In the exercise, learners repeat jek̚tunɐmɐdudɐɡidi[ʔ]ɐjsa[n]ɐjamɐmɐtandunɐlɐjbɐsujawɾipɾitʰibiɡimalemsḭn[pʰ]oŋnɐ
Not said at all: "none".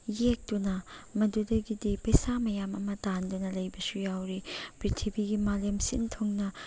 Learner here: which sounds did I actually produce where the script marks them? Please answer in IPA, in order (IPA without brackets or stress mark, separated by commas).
p, m, tʰ